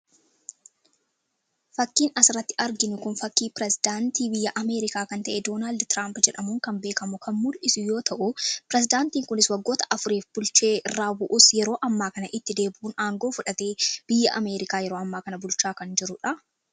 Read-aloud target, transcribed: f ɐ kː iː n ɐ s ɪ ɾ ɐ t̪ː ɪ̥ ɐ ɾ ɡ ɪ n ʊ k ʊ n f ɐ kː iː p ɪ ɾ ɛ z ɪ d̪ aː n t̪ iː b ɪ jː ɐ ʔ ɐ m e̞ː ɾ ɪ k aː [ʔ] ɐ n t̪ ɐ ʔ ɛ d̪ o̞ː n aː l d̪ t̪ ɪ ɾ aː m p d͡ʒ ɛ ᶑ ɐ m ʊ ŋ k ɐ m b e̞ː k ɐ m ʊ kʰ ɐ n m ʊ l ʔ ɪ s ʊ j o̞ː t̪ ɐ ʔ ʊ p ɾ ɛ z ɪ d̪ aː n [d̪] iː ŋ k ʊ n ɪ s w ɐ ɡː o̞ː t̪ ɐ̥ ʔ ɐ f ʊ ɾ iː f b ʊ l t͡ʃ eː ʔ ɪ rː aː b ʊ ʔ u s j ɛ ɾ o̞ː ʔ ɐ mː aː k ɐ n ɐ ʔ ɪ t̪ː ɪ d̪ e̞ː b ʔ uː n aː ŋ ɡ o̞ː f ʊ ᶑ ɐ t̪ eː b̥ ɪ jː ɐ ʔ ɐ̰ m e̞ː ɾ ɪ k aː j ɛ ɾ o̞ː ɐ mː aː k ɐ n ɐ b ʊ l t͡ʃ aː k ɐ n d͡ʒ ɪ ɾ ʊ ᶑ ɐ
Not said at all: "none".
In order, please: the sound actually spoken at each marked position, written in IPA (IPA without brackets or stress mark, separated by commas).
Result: k, t̪